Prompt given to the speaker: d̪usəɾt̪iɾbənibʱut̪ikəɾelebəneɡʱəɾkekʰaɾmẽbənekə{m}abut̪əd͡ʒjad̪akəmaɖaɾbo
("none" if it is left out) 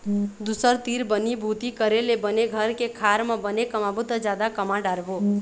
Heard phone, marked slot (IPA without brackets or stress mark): m